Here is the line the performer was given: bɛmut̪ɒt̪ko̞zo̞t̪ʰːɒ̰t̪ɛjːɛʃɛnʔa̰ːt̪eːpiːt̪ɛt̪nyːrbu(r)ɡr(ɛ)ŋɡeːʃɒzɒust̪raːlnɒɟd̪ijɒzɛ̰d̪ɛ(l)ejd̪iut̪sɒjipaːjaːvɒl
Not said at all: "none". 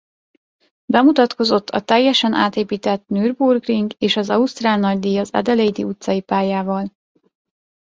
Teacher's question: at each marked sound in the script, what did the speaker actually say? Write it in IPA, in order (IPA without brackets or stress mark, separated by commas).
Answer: r, i, l